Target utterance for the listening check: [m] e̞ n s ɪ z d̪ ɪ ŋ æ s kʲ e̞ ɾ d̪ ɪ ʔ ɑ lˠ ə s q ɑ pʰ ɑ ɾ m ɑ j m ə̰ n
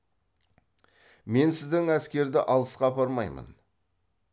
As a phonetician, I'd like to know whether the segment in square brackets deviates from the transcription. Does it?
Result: no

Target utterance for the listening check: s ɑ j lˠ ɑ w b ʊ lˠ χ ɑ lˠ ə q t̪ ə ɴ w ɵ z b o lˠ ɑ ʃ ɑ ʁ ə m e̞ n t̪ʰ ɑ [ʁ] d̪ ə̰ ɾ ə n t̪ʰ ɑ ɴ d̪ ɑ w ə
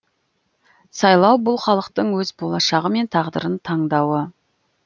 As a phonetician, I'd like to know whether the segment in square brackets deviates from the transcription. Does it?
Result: no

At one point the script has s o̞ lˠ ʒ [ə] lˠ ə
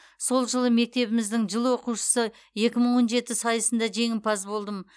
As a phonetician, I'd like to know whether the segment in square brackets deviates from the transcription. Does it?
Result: no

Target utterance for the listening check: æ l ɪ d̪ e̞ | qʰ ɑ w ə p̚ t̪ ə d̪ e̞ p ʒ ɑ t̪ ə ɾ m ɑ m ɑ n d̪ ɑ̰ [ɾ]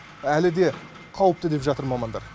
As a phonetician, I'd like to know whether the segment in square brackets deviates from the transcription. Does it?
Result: no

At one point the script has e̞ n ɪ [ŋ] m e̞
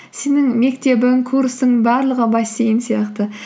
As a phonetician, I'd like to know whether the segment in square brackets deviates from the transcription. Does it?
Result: no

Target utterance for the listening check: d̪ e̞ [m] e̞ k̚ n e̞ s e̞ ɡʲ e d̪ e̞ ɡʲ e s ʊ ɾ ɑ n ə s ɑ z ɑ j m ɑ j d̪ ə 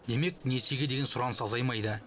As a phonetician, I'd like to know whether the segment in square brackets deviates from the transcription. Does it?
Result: no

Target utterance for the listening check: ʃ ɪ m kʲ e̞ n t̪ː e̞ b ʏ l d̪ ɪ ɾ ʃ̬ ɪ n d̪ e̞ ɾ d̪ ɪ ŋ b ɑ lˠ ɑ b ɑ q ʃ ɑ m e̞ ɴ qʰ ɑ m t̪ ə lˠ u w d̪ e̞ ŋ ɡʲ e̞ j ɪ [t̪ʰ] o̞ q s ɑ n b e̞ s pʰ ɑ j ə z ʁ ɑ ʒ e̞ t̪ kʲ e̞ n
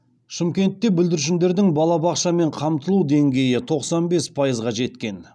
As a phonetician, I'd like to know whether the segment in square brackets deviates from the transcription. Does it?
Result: no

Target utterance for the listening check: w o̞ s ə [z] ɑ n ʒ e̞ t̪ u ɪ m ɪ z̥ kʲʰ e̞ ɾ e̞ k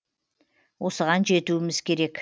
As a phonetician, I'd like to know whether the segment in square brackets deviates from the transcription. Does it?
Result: yes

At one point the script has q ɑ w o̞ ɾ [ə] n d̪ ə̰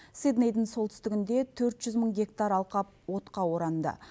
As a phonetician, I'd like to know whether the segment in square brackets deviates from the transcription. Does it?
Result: yes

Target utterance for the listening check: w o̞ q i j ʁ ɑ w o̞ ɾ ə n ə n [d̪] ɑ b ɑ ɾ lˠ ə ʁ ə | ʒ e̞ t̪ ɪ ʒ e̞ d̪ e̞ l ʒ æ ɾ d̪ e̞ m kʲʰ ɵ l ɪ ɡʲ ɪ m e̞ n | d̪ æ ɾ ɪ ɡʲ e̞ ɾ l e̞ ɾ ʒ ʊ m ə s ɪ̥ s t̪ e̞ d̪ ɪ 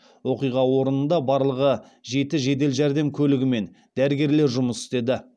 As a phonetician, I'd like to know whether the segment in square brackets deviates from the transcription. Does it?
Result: no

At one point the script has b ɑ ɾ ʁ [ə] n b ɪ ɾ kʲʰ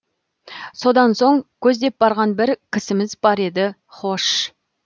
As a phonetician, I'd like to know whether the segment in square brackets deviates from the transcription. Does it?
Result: yes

